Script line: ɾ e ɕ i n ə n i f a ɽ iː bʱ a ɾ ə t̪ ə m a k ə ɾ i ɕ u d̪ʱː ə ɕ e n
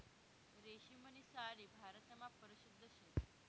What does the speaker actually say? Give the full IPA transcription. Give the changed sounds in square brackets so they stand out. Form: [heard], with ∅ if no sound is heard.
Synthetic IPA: ɾ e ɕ i [m] ə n i [s] a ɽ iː bʱ a ɾ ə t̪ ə m a [p] ə ɾ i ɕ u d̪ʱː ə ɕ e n

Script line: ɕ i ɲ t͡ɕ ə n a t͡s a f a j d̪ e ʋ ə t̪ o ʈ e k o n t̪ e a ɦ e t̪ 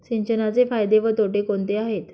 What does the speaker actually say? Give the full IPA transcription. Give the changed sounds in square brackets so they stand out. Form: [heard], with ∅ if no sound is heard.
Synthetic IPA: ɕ i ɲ t͡ɕ ə n a t͡s [e] f a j d̪ e ʋ ə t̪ o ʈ e k o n t̪ e a ɦ e t̪

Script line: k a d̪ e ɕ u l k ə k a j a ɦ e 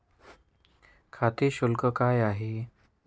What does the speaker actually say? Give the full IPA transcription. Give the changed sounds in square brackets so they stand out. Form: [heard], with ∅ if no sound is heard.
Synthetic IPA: [kʰ] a [t̪] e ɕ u l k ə k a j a ɦ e

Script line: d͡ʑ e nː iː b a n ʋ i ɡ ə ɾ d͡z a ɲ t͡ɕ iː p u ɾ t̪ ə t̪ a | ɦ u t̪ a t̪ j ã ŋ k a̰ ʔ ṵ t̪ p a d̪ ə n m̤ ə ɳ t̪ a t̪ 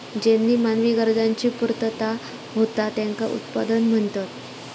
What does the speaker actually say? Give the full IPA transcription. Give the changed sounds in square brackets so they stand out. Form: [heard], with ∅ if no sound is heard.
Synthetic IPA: d͡ʑ e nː iː [m] a n ʋ i ɡ ə ɾ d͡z a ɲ t͡ɕ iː p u ɾ t̪ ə t̪ a | ɦ [o] t̪ a t̪ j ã ŋ k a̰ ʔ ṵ t̪ p a d̪ ə n m̤ ə ɳ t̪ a t̪

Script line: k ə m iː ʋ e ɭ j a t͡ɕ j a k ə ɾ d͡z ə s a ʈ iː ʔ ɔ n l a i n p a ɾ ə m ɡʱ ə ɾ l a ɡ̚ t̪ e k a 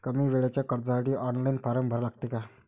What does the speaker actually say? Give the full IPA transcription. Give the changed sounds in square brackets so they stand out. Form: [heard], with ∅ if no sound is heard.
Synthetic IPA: k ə m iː ʋ e ɭ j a t͡ɕ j a k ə ɾ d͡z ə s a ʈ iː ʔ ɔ n l a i n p a ɾ ə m [bʱ] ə ɾ l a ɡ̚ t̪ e k a

